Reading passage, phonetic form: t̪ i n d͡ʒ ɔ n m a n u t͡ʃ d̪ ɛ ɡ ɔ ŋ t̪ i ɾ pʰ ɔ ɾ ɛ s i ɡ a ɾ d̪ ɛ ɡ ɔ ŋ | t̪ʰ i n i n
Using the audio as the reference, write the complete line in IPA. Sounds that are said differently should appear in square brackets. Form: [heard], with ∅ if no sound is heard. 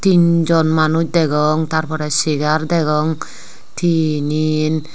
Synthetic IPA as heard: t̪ i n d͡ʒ ɔ n m a n u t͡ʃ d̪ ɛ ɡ ɔ ŋ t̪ [a] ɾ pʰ ɔ ɾ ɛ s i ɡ a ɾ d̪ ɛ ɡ ɔ ŋ | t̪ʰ i n i n